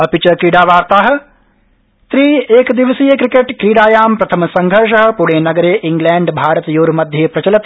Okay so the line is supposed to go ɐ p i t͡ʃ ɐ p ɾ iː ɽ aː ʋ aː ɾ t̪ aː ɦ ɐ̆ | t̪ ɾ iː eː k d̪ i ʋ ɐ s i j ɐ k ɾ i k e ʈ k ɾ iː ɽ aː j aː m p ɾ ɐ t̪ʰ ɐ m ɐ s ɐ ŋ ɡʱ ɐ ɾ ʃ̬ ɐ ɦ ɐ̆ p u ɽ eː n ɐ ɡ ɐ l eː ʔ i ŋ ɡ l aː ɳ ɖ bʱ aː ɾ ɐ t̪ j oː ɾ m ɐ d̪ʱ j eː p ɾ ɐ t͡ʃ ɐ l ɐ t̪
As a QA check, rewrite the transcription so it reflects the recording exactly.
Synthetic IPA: ɐ p i t͡ʃ ɐ k ɾ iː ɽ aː ʋ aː ɾ t̪ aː ɦ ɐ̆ | t̪ ɾ iː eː k d̪ i ʋ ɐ s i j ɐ k ɾ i k e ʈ k ɾ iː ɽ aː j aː m p ɾ ɐ t̪ʰ ɐ m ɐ s ɐ ŋ ɡʱ ɐ ɾ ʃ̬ ɐ ɦ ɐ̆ p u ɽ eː n ɐ ɡ ɐ ɾ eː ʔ i ŋ ɡ l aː ɳ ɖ bʱ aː ɾ ɐ t̪ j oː ɾ m ɐ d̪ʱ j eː p ɾ ɐ t͡ʃ ɐ l ɐ t̪

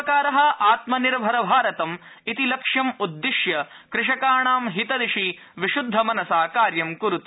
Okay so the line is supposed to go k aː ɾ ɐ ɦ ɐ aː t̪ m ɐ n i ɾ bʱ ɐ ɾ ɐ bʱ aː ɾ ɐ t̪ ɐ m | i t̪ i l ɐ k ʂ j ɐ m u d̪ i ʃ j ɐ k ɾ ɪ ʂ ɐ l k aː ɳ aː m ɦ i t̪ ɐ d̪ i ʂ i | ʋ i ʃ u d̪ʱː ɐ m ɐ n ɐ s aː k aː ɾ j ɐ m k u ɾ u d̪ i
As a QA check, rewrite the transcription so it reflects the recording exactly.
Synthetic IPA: k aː ɾ ɐ ɦ ɐ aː t̪ m ɐ n i ɾ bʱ ɐ ɾ ɐ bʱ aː ɾ ɐ t̪ ɐ m | i t̪ i l ɐ k ʂ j ɐ m u d̪ː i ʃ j ɐ k ɾ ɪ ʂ ɐ k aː ɳ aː m ɦ i t̪ ɐ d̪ i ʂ i | ʋ i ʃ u d̪ʱː ɐ m ɐ n ɐ s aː k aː ɾ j ɐ m k u ɾ u t̪ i

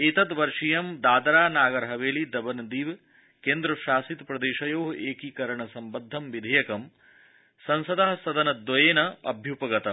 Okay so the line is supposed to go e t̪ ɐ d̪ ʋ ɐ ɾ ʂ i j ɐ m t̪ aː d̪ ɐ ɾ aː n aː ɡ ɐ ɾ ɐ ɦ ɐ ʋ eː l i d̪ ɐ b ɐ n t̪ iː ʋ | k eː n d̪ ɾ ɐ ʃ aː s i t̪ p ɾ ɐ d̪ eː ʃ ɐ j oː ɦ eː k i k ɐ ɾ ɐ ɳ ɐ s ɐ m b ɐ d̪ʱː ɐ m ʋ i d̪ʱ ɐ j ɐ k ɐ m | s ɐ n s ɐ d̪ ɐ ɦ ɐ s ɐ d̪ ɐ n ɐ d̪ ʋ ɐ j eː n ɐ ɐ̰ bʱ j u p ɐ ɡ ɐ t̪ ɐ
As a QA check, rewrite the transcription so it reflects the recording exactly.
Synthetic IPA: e t̪ ɐ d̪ ʋ ɐ ɾ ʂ i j ɐ m d̪ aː d̪ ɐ ɾ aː n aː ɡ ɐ ɾ ɐ ɦ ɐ ʋ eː l i d̪ ɐ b ɐ n d̪ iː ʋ | k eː n d̪ ɾ ɐ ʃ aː s i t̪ p ɾ ɐ d̪ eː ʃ ɐ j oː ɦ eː k i k ɐ ɾ ɐ ɳ ɐ s ɐ m b ɐ d̪ʱː ɐ m ʋ i d̪ʱ ɐ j ɐ k ɐ m | s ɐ n s ɐ d̪ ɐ ɦ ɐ s ɐ d̪ ɐ n ɐ d̪ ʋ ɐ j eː n ɐ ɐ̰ bʱ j u p ɐ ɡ ɐ t̪ ɐ

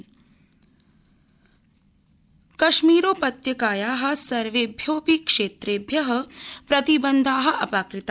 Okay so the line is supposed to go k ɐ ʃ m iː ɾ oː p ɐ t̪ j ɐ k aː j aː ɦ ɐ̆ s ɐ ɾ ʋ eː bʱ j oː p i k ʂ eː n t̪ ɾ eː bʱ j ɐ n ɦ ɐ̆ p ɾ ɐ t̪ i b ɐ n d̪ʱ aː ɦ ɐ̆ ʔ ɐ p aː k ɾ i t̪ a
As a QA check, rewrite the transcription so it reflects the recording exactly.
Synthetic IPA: k ɐ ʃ m iː ɾ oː p ɐ t̪ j ɐ k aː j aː ɦ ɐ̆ s ɐ ɾ ʋ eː bʱ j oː p i k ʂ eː t̪ ɾ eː bʱ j ɐ ɦ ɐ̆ p ɾ ɐ t̪ i b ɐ n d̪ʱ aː ɦ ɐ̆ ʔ ɐ p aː k ɾ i t̪ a

